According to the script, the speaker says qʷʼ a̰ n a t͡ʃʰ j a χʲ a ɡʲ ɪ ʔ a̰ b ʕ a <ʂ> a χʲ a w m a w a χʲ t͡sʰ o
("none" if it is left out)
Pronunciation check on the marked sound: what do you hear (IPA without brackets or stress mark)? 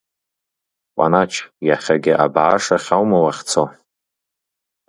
ʂ